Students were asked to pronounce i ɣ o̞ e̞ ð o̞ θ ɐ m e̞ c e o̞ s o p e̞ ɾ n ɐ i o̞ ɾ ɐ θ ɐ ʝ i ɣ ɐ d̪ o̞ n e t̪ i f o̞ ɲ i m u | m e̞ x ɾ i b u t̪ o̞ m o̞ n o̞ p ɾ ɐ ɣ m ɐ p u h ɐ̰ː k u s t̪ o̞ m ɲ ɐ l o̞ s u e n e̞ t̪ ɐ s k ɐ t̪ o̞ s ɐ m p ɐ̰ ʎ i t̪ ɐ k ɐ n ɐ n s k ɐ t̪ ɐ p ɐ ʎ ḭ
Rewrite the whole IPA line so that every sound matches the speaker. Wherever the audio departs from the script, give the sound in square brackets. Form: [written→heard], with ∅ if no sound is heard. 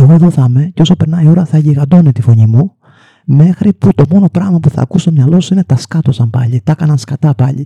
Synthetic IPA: [i→e] ɣ o̞ e̞ ð o̞ θ ɐ m e̞ c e o̞ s o p e̞ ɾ n ɐ i o̞ ɾ ɐ θ ɐ ʝ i ɣ ɐ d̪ o̞ n e t̪ i f o̞ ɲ i m u | m e̞ x ɾ i [b→p] u t̪ o̞ m o̞ n o̞ p ɾ ɐ ɣ m ɐ p u [h→θ] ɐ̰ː k u s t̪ o̞ m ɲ ɐ l o̞ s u [e→i] n e̞ t̪ ɐ s k ɐ t̪ o̞ s ɐ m p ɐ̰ ʎ i t̪ ɐ k ɐ n ɐ n s k ɐ t̪ ɐ p ɐ ʎ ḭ